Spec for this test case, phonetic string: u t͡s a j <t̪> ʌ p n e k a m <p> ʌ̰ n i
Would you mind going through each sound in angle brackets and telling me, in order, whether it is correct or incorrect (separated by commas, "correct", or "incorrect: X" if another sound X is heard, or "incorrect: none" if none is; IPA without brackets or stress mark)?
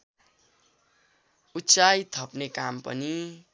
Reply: incorrect: t̪ʰ, correct